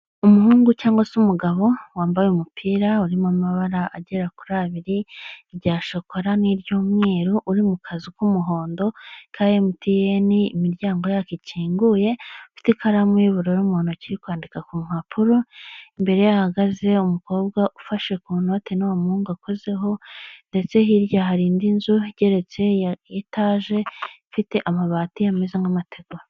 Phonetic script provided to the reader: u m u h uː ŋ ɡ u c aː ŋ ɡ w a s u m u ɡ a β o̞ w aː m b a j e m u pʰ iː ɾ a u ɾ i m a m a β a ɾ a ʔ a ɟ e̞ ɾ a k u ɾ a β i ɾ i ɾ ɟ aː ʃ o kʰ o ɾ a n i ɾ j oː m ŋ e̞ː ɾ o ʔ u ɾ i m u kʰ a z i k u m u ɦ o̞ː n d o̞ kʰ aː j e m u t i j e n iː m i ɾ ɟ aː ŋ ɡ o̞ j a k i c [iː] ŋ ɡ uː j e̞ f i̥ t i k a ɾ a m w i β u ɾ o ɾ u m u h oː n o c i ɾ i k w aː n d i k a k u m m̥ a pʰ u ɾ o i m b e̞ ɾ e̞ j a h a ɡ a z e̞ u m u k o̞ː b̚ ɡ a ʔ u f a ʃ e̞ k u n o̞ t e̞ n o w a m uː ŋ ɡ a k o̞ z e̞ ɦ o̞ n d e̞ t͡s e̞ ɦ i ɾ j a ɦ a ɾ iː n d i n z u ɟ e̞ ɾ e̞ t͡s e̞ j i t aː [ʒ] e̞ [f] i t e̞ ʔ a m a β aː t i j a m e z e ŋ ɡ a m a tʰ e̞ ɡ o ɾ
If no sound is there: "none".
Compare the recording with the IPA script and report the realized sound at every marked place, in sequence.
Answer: iː, ʒ, f

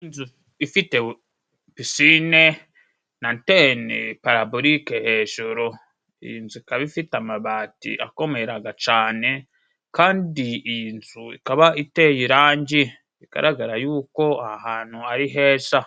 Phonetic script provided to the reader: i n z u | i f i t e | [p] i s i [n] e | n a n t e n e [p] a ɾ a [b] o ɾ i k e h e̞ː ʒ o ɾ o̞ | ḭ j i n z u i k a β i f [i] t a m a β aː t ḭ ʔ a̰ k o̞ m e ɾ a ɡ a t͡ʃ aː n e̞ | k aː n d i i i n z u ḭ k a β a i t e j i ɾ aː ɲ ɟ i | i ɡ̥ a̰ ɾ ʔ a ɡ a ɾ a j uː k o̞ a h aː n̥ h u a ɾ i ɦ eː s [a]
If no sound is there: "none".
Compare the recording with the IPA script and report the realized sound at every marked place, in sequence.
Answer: p, n, p, b, i, a

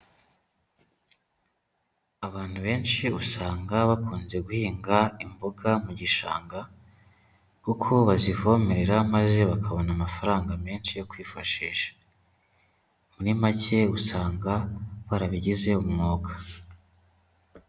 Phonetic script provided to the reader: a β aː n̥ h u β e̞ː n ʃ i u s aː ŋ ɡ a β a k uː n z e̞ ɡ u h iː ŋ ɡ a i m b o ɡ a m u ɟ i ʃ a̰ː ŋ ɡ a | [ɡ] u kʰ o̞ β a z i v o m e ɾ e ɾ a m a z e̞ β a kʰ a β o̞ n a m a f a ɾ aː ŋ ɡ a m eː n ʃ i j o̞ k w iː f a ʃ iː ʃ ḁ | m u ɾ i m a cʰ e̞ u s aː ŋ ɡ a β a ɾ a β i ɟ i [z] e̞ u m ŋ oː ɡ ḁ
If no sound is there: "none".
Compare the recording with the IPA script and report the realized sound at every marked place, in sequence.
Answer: k, z

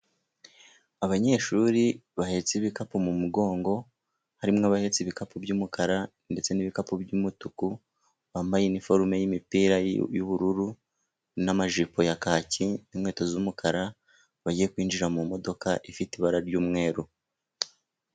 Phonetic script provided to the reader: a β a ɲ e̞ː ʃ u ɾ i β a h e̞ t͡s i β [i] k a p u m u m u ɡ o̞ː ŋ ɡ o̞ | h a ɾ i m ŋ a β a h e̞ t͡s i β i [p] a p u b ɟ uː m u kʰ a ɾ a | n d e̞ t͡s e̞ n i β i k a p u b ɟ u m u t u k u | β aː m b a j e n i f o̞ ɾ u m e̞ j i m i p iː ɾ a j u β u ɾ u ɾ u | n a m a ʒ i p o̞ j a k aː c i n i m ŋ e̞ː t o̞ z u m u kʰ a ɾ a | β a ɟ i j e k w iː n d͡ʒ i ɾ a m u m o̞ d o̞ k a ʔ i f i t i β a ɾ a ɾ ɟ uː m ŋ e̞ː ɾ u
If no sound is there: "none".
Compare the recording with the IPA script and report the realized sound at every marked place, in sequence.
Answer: i, k

